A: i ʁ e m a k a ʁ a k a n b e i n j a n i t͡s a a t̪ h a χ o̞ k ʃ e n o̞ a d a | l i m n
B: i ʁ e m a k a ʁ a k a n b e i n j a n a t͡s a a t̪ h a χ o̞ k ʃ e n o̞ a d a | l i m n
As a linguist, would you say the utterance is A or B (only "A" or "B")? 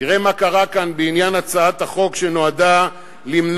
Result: B